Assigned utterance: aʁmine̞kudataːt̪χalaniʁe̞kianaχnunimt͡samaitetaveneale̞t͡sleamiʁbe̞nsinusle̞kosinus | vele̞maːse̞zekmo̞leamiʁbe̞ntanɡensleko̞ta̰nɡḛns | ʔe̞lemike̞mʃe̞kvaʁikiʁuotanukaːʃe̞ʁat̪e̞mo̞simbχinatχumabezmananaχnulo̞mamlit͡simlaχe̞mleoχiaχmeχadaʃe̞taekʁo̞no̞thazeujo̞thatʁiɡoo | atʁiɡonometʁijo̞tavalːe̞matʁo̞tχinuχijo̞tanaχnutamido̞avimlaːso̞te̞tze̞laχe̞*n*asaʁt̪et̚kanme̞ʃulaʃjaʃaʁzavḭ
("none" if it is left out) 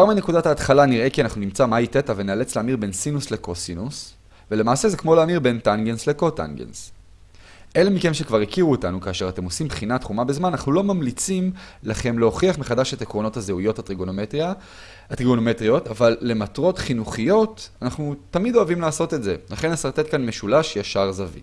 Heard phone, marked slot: n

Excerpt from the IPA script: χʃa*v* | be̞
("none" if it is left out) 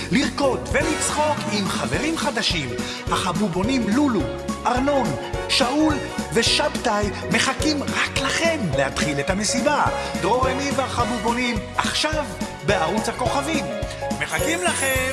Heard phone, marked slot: v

